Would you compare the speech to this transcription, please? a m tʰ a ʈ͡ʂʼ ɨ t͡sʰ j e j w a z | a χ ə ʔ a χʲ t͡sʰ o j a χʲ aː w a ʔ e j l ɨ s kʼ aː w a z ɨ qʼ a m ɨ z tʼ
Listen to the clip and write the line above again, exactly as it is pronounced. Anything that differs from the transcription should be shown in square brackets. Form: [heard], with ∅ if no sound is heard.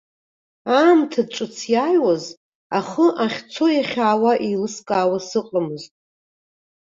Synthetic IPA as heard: a m tʰ a ʈ͡ʂʼ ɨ t͡sʰ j [a] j w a z | a χ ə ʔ a χʲ t͡sʰ o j a χʲ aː w a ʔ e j l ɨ s kʼ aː w a [s] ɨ qʼ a m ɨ z tʼ